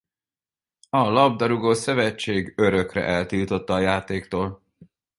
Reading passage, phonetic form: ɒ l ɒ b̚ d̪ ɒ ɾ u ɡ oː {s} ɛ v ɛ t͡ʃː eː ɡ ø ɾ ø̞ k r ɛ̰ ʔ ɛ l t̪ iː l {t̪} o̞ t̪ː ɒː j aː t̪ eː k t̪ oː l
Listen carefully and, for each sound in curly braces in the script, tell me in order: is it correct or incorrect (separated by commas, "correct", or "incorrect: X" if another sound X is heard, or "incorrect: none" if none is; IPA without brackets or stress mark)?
correct, correct